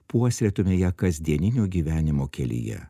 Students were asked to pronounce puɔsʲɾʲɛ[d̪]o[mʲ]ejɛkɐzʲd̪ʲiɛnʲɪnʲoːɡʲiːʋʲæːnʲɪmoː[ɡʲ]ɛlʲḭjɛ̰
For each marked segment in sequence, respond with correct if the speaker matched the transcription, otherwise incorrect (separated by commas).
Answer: incorrect, correct, incorrect